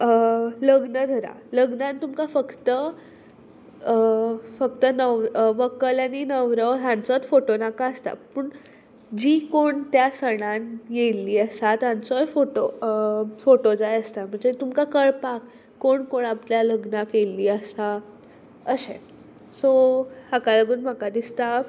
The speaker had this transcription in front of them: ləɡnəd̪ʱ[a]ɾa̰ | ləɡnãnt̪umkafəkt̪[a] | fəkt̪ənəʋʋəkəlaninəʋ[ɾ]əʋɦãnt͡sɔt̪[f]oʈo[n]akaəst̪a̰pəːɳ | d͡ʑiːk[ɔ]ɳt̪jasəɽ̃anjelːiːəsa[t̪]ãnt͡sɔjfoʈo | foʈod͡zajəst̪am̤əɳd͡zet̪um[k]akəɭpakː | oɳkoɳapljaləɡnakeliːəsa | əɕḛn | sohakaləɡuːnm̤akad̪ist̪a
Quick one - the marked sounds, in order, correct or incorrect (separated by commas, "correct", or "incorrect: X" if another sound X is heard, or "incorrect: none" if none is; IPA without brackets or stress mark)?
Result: incorrect: ə, incorrect: ə, correct, correct, correct, incorrect: o, correct, correct